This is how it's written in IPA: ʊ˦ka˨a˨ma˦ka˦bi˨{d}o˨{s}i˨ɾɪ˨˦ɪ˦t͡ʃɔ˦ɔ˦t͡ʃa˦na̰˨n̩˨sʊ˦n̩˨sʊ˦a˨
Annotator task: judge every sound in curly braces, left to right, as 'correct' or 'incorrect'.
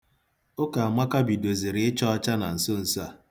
correct, incorrect: z

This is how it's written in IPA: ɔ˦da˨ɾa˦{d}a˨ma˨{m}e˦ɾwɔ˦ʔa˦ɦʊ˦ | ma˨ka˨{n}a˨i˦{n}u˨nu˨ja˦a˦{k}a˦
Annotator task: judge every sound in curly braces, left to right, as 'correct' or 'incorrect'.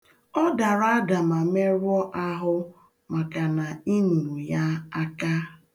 correct, correct, correct, correct, correct

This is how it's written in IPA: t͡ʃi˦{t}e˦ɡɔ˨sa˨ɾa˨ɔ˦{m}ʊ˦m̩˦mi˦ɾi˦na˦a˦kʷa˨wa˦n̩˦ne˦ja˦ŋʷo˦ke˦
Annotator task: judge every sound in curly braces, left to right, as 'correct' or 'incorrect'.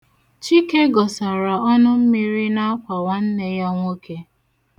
incorrect: k, incorrect: n

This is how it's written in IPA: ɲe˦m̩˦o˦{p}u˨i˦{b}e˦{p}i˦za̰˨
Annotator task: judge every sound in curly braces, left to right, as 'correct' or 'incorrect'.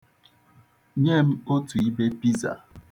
incorrect: t, correct, correct

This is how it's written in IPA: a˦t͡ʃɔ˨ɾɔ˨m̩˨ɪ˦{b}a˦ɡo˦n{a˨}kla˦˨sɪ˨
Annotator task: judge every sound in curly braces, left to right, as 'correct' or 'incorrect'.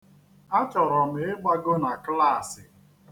incorrect: ɡ͡b, correct

